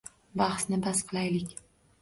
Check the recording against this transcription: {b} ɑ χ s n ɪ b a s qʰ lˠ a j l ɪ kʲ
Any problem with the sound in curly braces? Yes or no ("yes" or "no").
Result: no